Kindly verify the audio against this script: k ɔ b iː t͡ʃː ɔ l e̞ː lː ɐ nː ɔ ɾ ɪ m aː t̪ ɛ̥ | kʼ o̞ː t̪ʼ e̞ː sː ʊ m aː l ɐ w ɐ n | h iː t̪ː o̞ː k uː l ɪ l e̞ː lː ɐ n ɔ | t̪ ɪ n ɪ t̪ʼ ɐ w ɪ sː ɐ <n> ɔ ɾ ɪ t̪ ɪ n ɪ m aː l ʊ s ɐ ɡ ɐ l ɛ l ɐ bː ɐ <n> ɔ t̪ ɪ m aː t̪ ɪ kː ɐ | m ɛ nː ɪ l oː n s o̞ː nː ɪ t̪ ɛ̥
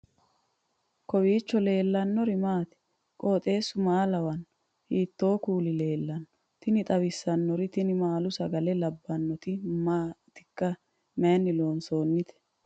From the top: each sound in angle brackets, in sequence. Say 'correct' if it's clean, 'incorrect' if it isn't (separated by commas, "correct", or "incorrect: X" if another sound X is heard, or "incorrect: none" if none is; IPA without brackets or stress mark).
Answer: incorrect: nː, incorrect: nː